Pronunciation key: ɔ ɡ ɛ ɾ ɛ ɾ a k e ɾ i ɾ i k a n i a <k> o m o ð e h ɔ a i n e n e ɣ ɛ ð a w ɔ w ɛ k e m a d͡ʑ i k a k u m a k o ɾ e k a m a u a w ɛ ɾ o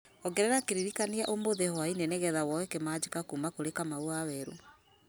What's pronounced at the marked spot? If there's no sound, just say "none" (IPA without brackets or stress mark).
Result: ʔ